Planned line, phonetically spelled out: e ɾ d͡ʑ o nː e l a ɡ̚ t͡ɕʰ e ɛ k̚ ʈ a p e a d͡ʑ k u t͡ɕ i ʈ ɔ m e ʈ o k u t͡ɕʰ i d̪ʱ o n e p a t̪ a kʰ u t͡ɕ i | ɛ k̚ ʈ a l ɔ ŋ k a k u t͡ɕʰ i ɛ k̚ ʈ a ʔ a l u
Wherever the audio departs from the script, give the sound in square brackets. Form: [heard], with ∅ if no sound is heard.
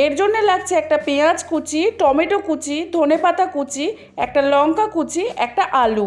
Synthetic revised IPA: e ɾ d͡ʑ o nː e l a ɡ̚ t͡ɕʰ e ɛ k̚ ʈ a p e a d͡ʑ k u t͡ɕ i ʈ ɔ m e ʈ o k u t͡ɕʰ i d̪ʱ o n e p a t̪ a [k] u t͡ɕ i | ɛ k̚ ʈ a l ɔ ŋ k a k u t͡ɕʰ i ɛ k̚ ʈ a ʔ a l u